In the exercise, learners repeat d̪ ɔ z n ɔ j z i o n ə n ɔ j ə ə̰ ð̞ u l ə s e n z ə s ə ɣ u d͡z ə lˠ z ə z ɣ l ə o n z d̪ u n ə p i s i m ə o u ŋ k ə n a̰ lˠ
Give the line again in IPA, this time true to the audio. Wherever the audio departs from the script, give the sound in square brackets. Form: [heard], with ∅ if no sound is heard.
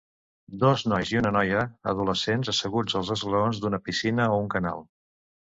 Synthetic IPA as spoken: d̪ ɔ z n ɔ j z i [u] n ə n ɔ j ə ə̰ ð̞ u l ə s e n z ə s ə ɣ u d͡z ə lˠ z ə z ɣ l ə o n z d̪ u n ə p i s i [n] ə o u ŋ k ə n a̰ lˠ